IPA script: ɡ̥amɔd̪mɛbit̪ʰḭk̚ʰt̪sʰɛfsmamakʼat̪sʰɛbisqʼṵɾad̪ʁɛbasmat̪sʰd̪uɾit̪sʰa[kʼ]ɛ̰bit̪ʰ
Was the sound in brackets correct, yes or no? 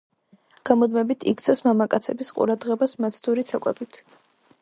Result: yes